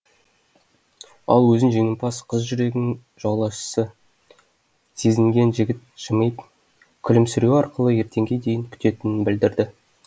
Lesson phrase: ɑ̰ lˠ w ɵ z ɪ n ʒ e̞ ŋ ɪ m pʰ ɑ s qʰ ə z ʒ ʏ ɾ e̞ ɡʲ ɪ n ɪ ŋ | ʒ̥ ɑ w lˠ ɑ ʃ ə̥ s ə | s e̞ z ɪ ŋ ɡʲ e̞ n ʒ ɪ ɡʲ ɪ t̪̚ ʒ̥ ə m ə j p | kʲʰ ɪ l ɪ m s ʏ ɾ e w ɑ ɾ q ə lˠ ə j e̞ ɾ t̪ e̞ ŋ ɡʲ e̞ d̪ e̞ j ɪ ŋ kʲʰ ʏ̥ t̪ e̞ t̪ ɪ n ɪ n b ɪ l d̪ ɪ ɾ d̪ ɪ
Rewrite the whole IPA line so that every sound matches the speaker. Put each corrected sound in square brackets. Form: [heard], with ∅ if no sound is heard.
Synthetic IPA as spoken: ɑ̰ lˠ w ɵ z ɪ n ʒ e̞ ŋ ɪ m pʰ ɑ s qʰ ə z ʒ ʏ ɾ e̞ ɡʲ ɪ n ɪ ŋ | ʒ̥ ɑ w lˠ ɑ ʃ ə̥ s ə | s e̞ z ɪ ŋ ɡʲ e̞ n ʒ ɪ ɡʲ ɪ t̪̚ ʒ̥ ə m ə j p | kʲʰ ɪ l ɪ m s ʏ ɾ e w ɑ ɾ q ə lˠ ə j e̞ ɾ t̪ e̞ ŋ ɡʲ e̞ d̪ e̞ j ɪ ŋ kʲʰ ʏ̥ t̪ e̞ t̪ ɪ n ɪ n b ɪ l d̪ ɪ ɾ d̪ ɪ